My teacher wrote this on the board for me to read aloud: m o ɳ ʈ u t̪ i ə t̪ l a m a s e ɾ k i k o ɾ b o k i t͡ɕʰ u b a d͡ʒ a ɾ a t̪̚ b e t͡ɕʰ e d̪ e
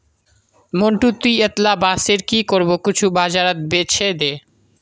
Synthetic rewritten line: m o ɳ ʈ u t̪ i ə t̪ l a b a s e ɾ k i k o ɾ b o k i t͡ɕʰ u b a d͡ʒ a ɾ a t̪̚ b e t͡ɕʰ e d̪ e

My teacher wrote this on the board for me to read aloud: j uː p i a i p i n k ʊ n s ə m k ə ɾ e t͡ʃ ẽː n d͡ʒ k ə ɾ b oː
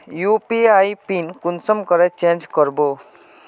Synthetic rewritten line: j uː p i a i p i n k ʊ n s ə m k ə ɾ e t͡ʃ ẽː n d͡ʒ k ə ɾ b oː

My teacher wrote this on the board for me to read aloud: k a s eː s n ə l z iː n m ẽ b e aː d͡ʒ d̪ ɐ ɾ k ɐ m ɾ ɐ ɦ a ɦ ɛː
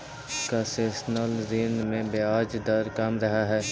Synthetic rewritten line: k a s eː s n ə l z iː n m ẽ b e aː d͡ʒ d̪ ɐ ɾ k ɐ m ɾ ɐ ɦ a ɦ ɛː

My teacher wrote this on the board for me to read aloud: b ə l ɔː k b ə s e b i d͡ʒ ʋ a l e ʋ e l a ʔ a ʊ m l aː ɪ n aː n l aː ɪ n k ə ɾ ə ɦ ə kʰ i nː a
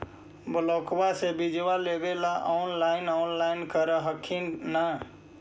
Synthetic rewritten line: b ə l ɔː k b a s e b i d͡ʒ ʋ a l e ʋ e l a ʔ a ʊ n l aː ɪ n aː n l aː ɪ n k ə ɾ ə ɦ ə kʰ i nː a

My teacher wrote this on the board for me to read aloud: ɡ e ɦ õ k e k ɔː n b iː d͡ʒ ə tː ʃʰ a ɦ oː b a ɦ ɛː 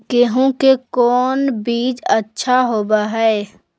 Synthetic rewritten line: k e ɦ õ k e k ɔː n b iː d͡ʒ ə tː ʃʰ a ɦ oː b a ɦ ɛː

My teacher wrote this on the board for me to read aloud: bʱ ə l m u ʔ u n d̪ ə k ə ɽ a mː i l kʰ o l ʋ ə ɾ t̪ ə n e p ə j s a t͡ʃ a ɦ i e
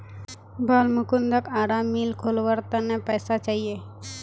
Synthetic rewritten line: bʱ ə l m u k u n d̪ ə k a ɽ a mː i l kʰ o l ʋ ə ɾ t̪ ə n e p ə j s a t͡ʃ a ɦ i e

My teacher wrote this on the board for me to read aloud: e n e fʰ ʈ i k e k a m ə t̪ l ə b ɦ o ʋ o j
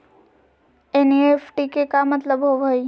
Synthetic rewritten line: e n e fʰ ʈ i k e k a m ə t̪ l ə b ɦ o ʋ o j

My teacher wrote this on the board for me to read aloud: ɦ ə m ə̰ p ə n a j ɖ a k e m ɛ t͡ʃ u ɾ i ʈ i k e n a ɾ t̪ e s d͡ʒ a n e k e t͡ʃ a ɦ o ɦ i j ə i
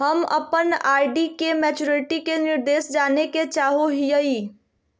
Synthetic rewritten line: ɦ ə m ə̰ p ə n a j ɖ i k e m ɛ t͡ʃ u ɾ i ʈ i k e n i ɾ d̪ e s d͡ʒ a n e k e t͡ʃ a ɦ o ɦ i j ə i

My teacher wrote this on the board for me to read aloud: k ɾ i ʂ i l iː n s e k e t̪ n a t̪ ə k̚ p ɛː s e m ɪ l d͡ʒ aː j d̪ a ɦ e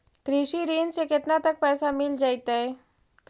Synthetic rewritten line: k ɾ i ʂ i ɾ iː n s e k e t̪ n a t̪ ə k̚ p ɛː s a m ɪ l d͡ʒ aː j t̪ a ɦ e

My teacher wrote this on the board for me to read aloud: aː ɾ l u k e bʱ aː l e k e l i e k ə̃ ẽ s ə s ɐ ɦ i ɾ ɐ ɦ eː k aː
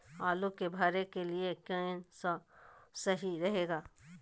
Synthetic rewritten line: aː l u k e bʱ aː ɾ e k e l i e k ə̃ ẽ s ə s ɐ ɦ i ɾ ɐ ɦ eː ɡ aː

